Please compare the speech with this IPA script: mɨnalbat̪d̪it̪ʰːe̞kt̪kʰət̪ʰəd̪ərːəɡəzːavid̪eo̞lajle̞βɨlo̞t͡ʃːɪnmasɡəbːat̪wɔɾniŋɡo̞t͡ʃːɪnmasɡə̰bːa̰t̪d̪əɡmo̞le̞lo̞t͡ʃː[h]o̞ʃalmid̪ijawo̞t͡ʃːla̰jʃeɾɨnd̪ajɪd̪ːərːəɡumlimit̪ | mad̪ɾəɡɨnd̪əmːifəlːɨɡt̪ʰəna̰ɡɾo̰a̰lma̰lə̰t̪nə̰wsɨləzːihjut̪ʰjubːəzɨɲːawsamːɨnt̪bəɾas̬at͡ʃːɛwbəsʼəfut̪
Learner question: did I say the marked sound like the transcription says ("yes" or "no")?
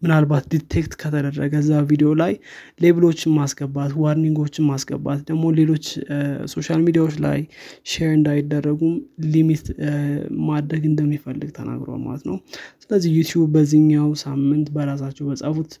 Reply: no